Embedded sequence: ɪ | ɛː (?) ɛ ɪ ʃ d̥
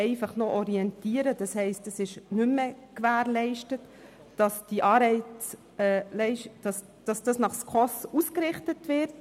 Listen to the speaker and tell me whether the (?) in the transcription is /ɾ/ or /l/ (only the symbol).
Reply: l